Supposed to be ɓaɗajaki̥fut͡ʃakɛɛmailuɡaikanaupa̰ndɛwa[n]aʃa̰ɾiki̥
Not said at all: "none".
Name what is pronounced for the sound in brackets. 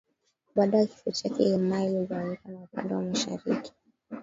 m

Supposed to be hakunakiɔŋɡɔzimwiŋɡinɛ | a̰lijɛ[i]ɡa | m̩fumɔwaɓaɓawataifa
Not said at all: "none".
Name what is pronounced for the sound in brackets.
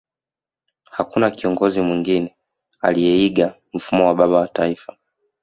i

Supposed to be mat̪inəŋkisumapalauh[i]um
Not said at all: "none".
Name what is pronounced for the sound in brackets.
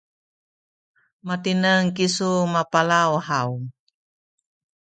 a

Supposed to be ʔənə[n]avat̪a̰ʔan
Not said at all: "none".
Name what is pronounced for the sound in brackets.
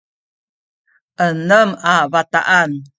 m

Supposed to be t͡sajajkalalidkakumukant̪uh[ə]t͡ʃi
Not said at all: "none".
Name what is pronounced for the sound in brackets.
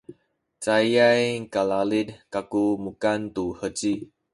ə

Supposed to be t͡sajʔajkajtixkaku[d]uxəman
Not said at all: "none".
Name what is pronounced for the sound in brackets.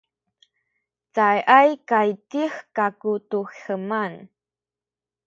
t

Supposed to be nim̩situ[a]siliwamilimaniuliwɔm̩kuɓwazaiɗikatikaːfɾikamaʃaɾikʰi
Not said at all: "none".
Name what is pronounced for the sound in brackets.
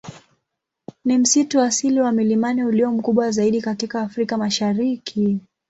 a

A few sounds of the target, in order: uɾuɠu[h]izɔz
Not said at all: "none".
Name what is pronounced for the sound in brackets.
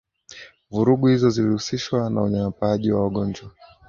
h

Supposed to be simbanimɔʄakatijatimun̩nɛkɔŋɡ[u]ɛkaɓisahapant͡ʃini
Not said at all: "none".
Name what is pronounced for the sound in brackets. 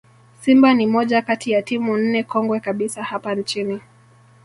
w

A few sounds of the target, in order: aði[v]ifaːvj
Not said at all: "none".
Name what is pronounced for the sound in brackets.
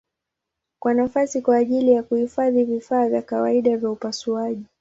v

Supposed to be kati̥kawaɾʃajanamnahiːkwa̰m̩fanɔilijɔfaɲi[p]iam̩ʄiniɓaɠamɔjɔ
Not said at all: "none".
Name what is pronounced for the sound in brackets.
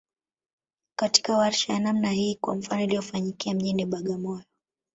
k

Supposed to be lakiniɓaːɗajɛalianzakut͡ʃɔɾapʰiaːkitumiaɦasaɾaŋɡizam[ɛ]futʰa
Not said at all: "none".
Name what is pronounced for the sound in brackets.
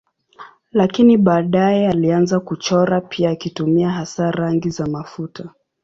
a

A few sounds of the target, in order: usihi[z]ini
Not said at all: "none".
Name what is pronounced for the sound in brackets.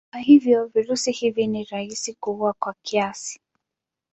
v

